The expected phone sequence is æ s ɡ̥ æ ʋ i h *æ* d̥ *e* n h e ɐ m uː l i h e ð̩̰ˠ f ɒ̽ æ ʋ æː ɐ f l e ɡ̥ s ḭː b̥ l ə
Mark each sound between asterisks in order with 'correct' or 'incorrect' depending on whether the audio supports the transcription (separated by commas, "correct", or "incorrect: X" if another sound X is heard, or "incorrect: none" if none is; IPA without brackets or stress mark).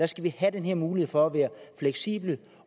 correct, correct